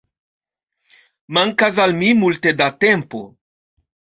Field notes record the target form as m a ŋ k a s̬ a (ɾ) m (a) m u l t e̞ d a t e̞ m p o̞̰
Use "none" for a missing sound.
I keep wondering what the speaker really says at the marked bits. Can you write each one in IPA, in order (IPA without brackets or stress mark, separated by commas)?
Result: l, i